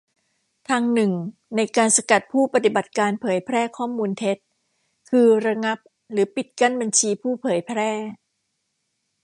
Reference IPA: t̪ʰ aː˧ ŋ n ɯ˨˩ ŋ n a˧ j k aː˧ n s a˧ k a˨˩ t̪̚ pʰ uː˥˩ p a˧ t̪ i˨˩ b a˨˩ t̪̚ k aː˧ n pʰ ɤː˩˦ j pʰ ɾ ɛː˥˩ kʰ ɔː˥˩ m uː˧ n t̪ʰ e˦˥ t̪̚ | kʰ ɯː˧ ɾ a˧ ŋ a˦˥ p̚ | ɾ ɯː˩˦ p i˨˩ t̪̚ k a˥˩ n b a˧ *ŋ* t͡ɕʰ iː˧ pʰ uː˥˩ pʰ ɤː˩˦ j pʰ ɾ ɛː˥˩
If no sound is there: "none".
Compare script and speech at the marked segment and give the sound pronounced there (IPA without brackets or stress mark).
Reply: n